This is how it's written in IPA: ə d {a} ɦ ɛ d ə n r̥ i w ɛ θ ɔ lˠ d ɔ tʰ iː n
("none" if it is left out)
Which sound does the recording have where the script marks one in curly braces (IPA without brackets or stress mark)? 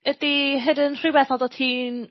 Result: i